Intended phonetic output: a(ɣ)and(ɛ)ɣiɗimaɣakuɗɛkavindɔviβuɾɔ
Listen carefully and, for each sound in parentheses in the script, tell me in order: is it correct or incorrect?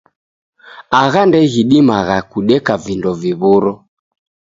correct, correct

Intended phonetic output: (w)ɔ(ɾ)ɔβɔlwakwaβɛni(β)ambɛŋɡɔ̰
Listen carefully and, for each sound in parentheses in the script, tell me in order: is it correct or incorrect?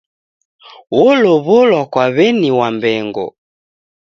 correct, incorrect: l, incorrect: w

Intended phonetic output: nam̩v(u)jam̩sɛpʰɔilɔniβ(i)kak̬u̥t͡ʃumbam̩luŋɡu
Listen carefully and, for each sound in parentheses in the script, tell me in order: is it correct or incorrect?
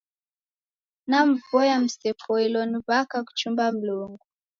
incorrect: ɔ, incorrect: a

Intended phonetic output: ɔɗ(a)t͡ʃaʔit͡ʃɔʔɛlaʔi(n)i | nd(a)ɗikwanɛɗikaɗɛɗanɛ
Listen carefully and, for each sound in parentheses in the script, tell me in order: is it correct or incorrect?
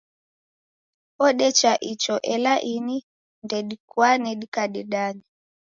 incorrect: ɛ, correct, incorrect: ɛ

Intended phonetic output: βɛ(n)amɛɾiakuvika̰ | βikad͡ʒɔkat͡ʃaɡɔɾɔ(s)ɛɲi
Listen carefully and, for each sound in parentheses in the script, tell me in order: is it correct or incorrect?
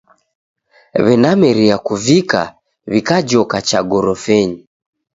correct, incorrect: f

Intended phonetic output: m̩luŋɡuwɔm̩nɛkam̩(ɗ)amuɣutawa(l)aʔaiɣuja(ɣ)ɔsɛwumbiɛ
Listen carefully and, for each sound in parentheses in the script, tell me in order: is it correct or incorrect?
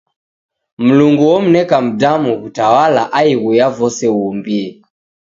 incorrect: d, correct, incorrect: v

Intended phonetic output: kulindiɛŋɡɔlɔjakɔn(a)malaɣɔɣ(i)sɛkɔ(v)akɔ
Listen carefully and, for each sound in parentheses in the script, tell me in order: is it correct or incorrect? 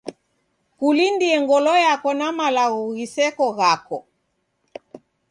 correct, correct, incorrect: ɣ

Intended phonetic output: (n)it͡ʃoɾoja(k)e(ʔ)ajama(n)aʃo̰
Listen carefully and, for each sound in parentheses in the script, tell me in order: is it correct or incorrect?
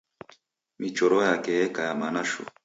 incorrect: m, correct, incorrect: k, correct

